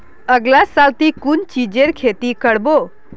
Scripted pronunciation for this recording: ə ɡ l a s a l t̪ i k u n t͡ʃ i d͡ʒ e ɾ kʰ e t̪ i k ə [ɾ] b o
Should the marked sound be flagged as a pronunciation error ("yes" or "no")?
yes